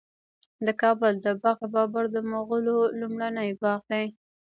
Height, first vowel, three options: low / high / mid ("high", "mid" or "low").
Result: mid